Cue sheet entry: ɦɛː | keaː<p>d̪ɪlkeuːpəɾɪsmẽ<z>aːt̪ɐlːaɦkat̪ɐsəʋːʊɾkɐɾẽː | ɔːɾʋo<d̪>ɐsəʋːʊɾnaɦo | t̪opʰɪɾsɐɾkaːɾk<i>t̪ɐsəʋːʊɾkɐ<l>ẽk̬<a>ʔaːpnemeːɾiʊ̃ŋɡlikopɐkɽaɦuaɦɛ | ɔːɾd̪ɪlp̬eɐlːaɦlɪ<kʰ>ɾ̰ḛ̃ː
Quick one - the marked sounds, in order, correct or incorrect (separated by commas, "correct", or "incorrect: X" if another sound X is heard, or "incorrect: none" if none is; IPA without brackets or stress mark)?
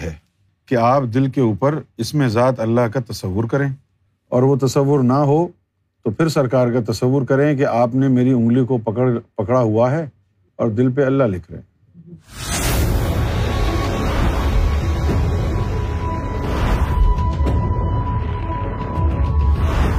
correct, correct, incorrect: t̪, incorrect: a, incorrect: ɾ, incorrect: e, correct